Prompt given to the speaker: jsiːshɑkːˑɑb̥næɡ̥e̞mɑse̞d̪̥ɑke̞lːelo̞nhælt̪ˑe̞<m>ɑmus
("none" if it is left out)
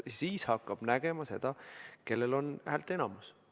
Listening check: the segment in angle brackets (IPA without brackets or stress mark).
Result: n